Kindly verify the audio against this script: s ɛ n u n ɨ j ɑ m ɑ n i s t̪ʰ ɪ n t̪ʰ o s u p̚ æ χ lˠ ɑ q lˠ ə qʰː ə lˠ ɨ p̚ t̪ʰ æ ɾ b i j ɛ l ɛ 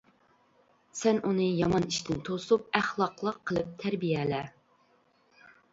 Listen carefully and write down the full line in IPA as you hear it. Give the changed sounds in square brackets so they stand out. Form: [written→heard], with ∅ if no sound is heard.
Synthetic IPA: s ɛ n u n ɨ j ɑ m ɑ n i [s→ʃ] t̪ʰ ɪ n t̪ʰ o s u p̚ æ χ lˠ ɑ q lˠ ə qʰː ə lˠ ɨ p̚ t̪ʰ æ ɾ b i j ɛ l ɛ